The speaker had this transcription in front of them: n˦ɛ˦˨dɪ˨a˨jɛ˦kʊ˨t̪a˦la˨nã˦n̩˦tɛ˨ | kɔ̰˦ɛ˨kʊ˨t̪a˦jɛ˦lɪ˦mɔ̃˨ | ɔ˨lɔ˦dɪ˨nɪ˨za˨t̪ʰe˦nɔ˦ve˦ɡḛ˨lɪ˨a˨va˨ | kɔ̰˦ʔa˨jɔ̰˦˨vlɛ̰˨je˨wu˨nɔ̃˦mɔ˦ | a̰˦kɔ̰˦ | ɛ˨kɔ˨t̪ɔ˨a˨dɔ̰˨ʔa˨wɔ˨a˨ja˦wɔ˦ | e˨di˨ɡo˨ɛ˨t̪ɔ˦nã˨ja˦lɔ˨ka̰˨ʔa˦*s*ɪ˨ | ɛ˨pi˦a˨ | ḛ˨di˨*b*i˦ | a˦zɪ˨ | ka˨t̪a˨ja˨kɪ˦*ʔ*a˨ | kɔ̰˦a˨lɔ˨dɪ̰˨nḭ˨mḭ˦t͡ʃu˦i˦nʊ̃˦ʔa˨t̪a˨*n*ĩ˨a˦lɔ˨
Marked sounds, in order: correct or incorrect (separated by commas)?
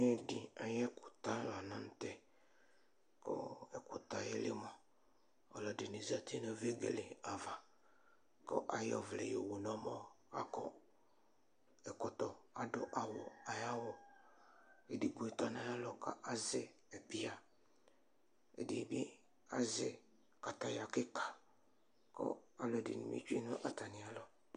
incorrect, correct, incorrect, correct